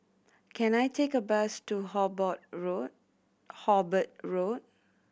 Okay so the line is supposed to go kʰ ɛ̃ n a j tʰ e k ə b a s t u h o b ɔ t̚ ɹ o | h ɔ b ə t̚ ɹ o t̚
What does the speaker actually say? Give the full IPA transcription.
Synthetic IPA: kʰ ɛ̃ n a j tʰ e k ə b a s t u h ɔ b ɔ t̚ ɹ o | h ɔ b ə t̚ ɹ o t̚